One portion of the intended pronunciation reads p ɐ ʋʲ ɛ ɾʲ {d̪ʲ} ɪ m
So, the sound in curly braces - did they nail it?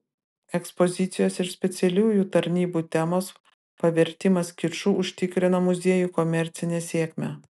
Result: no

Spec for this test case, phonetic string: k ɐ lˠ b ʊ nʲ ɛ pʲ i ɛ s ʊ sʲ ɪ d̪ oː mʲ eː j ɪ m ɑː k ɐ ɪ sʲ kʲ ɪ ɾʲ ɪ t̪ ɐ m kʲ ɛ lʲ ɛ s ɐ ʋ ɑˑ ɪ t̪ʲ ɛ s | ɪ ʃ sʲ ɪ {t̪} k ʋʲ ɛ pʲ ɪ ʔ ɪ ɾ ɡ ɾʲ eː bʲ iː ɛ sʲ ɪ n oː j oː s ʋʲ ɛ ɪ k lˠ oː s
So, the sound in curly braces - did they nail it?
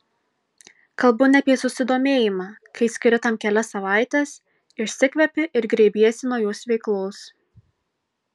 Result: no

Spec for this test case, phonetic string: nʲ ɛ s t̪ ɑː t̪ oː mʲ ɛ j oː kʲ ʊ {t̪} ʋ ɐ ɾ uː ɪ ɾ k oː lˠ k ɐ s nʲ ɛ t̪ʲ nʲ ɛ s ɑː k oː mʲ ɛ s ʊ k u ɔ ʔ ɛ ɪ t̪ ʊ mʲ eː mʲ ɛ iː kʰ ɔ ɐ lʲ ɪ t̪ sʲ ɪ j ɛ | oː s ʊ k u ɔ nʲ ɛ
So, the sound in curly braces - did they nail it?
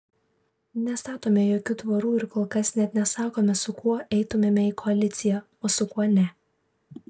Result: yes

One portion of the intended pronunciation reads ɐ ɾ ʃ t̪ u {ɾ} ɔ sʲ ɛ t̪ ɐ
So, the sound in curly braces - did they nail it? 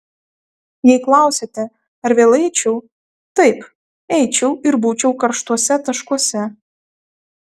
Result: no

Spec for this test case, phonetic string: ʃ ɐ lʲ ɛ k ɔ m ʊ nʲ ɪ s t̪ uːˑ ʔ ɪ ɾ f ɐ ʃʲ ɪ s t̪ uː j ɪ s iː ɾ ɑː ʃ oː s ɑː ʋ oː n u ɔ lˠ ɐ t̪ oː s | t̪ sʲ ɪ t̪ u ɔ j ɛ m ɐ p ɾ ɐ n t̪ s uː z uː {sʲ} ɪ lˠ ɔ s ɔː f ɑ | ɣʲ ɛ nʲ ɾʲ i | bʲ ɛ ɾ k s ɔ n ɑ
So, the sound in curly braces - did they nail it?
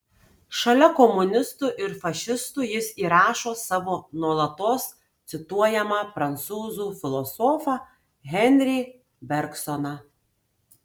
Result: no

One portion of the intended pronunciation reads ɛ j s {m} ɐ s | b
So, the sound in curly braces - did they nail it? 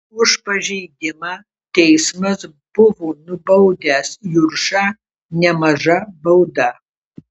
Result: yes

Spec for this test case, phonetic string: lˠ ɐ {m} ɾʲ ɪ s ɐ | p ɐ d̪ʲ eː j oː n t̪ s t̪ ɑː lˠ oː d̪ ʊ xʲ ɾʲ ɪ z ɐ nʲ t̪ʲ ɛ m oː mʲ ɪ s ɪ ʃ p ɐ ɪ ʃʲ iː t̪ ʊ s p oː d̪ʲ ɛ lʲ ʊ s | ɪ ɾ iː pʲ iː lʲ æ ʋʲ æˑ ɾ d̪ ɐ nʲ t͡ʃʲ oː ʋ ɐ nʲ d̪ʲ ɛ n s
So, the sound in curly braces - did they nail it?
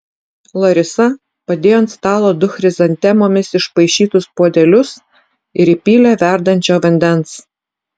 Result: no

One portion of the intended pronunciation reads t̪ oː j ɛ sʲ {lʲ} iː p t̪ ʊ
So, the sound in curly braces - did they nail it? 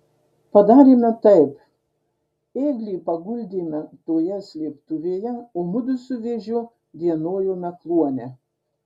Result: yes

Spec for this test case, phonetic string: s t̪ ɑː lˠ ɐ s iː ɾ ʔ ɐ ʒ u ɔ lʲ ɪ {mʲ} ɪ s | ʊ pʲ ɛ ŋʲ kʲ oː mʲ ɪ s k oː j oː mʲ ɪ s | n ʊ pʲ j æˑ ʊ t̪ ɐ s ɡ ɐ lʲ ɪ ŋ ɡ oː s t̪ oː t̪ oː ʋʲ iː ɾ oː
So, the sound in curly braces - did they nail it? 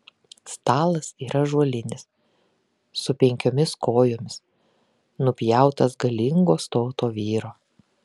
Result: no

